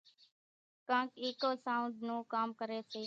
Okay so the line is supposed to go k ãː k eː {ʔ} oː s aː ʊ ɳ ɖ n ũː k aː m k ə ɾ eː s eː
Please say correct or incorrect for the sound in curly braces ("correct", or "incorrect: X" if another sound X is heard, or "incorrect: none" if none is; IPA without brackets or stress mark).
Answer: incorrect: k